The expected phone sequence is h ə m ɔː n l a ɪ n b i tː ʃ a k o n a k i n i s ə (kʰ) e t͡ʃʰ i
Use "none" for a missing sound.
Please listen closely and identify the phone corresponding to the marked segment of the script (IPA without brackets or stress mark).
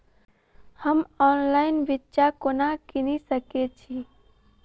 k